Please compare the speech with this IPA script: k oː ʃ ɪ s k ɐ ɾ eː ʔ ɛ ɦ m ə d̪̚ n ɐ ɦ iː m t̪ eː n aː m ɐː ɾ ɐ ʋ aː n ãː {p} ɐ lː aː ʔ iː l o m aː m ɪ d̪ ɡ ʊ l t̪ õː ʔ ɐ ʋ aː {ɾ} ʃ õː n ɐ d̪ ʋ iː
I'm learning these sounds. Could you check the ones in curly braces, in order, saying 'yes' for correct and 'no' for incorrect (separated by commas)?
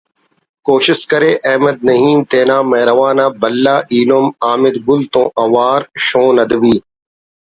no, yes